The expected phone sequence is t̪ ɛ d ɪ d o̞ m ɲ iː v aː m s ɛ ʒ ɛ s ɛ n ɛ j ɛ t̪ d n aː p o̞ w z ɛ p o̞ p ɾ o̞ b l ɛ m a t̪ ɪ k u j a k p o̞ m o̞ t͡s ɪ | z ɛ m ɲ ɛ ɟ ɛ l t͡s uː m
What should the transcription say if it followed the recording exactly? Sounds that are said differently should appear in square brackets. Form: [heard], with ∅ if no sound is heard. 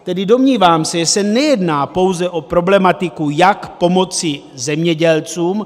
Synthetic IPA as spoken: t̪ ɛ d ɪ d o̞ m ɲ iː v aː m s ɛ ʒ ɛ s ɛ n ɛ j ɛ [∅] d n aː p o̞ w z ɛ [ʔ] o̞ p ɾ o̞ b l ɛ m a t̪ ɪ k u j a k p o̞ m o̞ t͡s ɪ | z ɛ m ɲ ɛ ɟ ɛ l t͡s uː m

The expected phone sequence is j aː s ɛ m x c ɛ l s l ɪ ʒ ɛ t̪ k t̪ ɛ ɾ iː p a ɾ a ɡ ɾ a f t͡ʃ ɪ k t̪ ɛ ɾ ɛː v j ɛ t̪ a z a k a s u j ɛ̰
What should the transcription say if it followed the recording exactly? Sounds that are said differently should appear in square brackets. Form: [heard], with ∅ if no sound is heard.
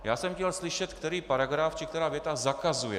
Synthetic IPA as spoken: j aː s ɛ m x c ɛ l s l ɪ [ʃ] ɛ t̪ k t̪ ɛ ɾ iː p a ɾ a ɡ ɾ a f t͡ʃ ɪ k t̪ ɛ ɾ [aː] v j ɛ t̪ a z a k a [z] u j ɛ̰

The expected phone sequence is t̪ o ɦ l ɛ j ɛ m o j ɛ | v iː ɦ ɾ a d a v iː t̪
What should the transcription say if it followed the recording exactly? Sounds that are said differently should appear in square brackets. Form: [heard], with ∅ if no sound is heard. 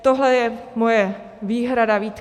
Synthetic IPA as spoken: t̪ o ɦ l ɛ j ɛ m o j ɛ | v iː ɦ ɾ a d a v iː t̪

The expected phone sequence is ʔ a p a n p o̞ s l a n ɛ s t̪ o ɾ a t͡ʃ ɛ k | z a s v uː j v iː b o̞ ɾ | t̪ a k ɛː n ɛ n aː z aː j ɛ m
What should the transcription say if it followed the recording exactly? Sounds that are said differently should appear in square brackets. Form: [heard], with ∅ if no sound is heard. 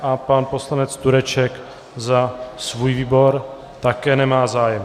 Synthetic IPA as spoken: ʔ a p a n p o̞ s l a n ɛ [t͡s] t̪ [u] ɾ [ɛ] t͡ʃ ɛ k | z a s v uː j v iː b o̞ ɾ | t̪ a k ɛː n ɛ [m] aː z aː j ɛ m

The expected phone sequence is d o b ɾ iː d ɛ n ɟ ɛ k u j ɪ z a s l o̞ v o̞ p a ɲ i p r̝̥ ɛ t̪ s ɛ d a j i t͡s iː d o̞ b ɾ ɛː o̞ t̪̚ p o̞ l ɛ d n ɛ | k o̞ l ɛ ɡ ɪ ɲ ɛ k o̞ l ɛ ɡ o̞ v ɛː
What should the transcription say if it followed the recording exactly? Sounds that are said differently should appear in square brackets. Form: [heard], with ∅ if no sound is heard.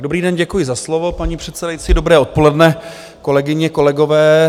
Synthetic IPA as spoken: d o b ɾ iː d ɛ n ɟ ɛ k u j ɪ z a s l o̞ v o̞ p a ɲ i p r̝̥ ɛ t̪ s ɛ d a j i t͡s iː d o̞ b ɾ ɛː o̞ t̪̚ p o̞ l ɛ d n ɛ | k o̞ l ɛ ɡ ɪ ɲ ɛ k o̞ l ɛ ɡ o̞ v ɛː

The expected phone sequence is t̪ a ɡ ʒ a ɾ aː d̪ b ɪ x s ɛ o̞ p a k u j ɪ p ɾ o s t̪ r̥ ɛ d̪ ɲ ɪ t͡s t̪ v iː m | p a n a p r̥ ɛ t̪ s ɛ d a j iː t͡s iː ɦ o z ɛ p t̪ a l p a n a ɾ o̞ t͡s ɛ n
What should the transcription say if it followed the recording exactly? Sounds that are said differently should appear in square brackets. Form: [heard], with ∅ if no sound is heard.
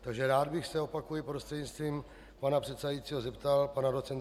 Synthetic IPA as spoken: t̪ a ɡ ʒ [ɛ] ɾ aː d̪ b ɪ x s ɛ o̞ p a k u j ɪ p ɾ o s t̪ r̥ ɛ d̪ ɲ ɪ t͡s t̪ v iː m | p a n a p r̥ ɛ t̪ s ɛ d a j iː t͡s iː ɦ o z ɛ p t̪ a l p a n a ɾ o̞ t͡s ɛ n

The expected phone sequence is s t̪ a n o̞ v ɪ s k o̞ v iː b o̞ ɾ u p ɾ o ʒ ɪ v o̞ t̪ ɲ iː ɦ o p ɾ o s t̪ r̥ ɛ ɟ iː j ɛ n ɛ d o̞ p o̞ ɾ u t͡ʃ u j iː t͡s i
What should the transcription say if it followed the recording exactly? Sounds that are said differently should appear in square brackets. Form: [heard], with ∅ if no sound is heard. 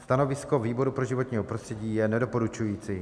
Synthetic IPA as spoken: s t̪ a n o̞ v ɪ s k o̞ v iː b o̞ ɾ u p ɾ o ʒ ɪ v o̞ t̪ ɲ iː ɦ o p ɾ o s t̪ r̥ ɛ ɟ iː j ɛ n ɛ d o̞ p o̞ ɾ u t͡ʃ u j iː t͡s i

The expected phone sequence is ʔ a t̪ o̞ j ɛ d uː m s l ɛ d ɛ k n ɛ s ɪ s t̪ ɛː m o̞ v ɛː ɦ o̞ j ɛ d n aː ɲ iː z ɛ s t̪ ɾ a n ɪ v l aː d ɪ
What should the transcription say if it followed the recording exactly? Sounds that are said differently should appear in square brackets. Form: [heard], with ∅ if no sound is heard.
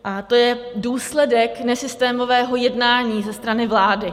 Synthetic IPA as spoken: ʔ a t̪ o̞ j ɛ d uː [∅] s l ɛ d ɛ k n ɛ s ɪ s t̪ ɛː m o̞ v ɛː ɦ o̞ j ɛ d n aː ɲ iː z ɛ s t̪ ɾ a n ɪ v l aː d ɪ

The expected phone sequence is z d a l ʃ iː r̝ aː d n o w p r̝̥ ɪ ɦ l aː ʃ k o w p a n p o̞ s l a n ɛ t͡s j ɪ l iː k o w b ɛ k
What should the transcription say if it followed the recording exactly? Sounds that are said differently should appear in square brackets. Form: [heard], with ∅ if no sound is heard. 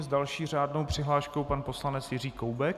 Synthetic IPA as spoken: z d a l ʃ iː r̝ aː d n o w p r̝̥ ɪ ɦ l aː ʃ k o w p a n p o̞ s l a n ɛ t͡s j ɪ [r] iː k o w b ɛ k

